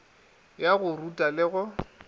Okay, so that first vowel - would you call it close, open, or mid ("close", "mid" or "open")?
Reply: open